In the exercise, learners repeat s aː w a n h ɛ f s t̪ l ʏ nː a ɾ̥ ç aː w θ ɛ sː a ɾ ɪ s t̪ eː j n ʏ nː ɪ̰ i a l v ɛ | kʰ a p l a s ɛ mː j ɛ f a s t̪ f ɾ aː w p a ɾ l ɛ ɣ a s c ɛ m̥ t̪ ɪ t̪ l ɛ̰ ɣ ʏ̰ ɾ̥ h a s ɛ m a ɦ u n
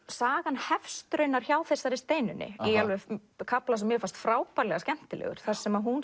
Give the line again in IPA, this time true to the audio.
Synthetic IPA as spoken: s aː ɣ a n h ɛ f s t̪ ɾ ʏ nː a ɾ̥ ç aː w θ ɛ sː a ɾ ɪ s t̪ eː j n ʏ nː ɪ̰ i a l v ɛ | kʰ a p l a s ɛ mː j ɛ f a s t̪ f ɾ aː w p a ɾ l ɛ ɣ a s c ɛ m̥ t̪ ɪ l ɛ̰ ɣ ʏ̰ ɾ̥ θ a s ɛ m a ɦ u n